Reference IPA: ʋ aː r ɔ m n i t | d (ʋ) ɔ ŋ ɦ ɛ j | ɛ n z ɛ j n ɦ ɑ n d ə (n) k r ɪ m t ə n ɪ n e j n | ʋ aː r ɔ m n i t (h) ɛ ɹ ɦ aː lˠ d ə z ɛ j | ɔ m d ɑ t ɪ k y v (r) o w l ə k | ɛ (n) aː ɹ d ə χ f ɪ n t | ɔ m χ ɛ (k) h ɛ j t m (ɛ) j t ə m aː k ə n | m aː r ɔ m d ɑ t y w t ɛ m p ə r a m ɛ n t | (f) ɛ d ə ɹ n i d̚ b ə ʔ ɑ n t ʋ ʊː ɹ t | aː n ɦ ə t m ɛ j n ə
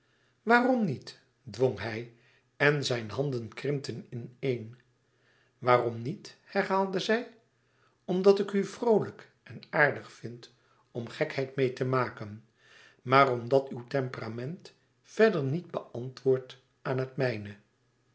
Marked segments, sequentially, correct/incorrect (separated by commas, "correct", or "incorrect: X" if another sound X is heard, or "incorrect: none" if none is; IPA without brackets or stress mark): correct, correct, correct, correct, correct, correct, incorrect: e, correct